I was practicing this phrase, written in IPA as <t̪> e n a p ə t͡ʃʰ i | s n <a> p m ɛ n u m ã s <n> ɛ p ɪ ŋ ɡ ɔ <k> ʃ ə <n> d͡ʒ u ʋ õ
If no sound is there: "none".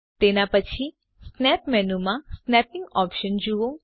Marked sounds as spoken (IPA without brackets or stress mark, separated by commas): t̪, ɛ, n, p, n